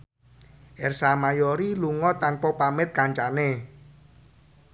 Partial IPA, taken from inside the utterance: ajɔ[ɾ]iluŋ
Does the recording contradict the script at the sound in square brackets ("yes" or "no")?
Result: no